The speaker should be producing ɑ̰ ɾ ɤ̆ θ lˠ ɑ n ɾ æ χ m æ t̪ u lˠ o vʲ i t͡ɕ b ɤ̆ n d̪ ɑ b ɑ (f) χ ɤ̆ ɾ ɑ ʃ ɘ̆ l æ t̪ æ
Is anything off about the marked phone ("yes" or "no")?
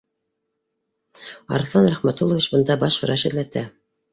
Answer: yes